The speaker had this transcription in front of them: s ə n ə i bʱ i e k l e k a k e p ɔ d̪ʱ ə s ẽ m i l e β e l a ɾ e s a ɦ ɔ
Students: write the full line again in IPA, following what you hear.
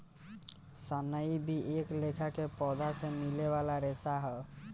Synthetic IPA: s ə n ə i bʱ i e k l e kʰ a k e p ɔ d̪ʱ a s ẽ m i l e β a l a ɾ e s a ɦ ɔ